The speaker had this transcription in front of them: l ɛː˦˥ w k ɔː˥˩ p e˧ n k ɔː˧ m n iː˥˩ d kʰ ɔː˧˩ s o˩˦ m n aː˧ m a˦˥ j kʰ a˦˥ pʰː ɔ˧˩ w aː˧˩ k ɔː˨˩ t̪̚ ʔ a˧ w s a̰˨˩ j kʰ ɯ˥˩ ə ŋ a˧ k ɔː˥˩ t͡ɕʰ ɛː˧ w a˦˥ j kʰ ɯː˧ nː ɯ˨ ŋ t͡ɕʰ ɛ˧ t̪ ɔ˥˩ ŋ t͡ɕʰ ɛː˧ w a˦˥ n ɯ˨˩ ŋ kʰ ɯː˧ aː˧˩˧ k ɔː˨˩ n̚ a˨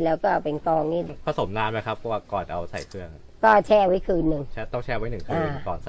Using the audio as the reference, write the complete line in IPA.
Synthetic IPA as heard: l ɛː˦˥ w k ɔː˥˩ p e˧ n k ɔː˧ ŋ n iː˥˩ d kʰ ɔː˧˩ s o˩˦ m n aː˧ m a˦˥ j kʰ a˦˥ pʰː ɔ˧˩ w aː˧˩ k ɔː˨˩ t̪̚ ʔ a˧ w s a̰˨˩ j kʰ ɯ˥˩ ə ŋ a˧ k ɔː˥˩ t͡ɕʰ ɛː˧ w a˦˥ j kʰ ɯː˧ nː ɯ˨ ŋ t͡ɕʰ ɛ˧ t̪ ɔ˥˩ ŋ t͡ɕʰ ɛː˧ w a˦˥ n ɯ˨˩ ŋ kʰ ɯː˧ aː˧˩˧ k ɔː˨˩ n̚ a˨